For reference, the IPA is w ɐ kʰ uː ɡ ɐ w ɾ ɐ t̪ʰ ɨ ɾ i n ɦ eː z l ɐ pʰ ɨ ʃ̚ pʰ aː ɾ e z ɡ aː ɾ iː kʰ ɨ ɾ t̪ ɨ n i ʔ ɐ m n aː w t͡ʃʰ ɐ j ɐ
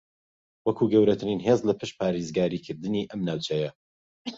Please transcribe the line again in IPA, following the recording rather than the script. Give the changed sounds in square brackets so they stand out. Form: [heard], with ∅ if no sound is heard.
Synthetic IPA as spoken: w ɐ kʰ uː ɡ ɐ w ɾ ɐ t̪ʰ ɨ ɾ i n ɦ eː z l ɐ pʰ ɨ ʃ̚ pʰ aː ɾ e z ɡ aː ɾ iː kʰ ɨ ɾ [d̪] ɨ n i ʔ ɐ m n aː w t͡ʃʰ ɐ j ɐ